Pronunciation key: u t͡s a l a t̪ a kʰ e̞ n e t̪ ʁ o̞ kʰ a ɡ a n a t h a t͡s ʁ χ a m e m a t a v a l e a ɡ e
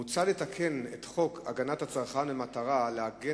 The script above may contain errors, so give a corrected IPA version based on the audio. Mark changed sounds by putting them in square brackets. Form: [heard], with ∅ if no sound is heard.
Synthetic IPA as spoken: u t͡s a l [e] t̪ a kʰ e̞ n e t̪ [χ] o̞ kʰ a ɡ a n a t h a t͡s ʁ χ a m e m a t a [ʁ] a l e a ɡ e